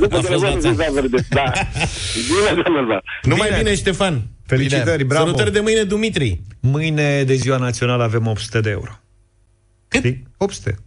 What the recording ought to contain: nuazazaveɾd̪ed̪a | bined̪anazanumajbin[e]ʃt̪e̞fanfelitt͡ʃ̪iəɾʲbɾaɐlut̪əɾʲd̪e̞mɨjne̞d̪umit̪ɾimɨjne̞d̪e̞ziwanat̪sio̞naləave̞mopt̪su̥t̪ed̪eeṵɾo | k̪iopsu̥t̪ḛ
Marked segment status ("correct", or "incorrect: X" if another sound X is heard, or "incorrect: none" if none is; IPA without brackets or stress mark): correct